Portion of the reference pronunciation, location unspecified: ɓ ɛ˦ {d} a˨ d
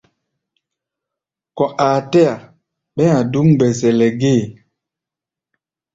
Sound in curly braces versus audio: incorrect: none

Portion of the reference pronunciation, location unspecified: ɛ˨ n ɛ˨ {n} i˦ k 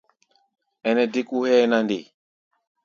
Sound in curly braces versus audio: incorrect: d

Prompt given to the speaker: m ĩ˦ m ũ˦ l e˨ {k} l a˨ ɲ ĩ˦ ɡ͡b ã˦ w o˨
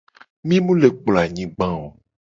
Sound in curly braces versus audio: incorrect: k͡p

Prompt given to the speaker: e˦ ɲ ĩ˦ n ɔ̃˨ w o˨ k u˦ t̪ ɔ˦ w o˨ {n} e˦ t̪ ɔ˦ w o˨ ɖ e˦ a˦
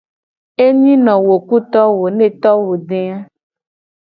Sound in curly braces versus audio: correct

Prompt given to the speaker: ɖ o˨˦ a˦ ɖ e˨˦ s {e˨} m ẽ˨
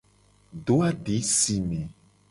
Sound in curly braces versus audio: incorrect: i˨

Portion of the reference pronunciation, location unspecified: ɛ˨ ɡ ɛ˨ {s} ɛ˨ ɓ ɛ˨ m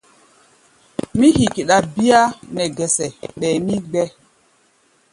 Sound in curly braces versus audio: correct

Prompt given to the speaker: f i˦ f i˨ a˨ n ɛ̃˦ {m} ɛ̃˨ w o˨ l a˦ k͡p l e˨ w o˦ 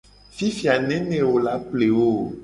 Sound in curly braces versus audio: incorrect: n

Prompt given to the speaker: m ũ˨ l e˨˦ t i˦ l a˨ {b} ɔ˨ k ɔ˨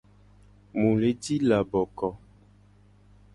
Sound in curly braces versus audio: correct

